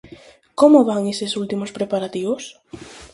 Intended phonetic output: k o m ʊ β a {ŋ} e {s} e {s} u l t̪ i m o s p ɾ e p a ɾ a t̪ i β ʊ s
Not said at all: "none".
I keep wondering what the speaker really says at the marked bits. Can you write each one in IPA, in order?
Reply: ŋ, s, s

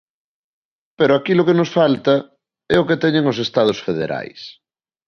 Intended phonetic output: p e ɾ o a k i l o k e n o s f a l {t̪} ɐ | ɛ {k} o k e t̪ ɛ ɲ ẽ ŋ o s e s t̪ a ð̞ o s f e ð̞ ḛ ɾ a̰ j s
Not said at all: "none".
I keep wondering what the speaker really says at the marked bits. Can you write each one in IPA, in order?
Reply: t̪, none

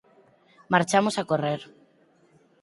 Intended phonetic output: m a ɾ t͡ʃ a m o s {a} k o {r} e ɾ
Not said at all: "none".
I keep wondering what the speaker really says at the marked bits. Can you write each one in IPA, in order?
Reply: a, r

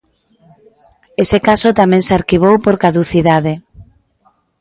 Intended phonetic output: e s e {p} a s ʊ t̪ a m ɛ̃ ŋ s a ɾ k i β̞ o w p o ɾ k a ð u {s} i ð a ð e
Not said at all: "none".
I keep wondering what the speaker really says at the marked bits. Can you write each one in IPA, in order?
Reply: k, θ

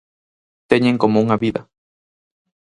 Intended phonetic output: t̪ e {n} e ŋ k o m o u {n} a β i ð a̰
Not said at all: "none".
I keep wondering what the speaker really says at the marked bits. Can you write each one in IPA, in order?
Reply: ɲ, ŋ

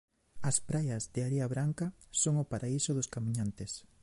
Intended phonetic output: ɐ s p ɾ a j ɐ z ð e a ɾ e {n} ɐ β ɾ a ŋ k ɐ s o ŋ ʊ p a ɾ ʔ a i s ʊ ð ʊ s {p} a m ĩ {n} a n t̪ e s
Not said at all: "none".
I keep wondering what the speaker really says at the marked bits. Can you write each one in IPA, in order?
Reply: none, k, ɲ

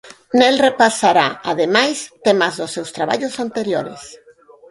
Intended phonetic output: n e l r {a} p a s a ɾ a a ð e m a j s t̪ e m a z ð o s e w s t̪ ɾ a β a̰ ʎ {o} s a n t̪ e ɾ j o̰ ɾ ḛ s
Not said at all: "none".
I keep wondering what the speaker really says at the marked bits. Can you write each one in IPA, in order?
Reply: e, o

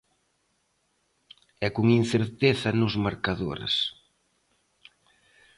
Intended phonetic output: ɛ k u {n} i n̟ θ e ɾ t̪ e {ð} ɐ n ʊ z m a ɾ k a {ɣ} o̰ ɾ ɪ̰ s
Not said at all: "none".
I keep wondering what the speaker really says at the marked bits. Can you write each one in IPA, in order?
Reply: ŋ, θ, ð

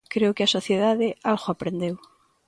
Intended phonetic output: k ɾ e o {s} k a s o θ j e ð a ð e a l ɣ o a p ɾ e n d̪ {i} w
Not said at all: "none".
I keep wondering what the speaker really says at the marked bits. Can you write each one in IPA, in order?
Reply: none, e

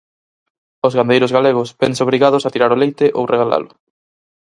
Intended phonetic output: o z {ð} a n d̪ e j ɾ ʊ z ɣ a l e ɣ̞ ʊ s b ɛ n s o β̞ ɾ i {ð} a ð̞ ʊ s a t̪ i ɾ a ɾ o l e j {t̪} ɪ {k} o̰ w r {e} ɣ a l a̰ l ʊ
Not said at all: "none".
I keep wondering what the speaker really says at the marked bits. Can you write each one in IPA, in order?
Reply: ɣ, ɣ, t̪, ʔ, e

